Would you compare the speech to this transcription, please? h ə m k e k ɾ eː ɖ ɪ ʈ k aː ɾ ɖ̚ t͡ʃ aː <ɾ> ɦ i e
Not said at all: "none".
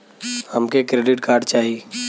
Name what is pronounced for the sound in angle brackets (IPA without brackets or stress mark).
none